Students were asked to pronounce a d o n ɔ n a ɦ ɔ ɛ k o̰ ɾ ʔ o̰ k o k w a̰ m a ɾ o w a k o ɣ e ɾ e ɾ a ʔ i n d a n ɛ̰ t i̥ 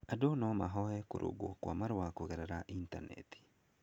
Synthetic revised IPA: a d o n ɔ m a ɦ ɔ ɛ k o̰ ɾ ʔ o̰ ɡ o k w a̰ m a ɾ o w a k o ɣ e ɾ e ɾ a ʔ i n t a n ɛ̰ t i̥